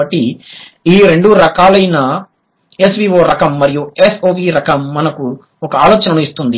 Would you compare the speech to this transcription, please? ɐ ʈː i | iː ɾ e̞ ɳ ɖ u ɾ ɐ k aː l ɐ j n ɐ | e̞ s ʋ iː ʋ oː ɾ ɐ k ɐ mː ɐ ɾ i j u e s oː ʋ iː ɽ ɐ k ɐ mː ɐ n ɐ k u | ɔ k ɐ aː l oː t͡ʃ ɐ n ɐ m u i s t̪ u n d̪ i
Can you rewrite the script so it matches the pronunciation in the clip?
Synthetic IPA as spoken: ɐ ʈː i | iː ɾ e̞ ɳ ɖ u ɾ ɐ k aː l ɐ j n ɐ | e̞ s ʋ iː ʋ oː ɾ ɐ k ɐ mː ɐ ɾ i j u e s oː ʋ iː ɾ ɐ k ɐ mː ɐ n ɐ k u | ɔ k ɐ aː l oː t͡ʃ ɐ n ɐ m u i s t̪ u n d̪ i